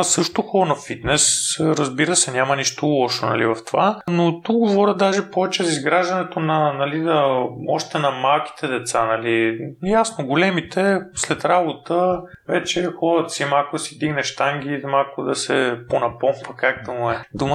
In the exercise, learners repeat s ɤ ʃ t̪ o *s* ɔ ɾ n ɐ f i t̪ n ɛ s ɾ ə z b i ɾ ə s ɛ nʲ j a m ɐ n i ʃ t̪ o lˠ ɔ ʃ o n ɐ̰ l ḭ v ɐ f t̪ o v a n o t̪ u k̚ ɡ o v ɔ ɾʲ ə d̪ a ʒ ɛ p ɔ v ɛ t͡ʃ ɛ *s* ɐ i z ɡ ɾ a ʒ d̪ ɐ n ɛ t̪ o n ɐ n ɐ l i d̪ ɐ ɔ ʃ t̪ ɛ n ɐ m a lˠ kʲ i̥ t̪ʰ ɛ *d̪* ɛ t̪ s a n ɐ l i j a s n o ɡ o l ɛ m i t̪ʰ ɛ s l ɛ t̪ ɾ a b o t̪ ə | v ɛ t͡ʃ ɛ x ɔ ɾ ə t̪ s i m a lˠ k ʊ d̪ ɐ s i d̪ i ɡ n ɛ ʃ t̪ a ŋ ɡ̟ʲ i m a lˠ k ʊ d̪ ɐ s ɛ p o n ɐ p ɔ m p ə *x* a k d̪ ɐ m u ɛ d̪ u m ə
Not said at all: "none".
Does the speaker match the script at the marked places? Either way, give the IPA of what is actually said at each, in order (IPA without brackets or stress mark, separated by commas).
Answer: x, z, d̪, k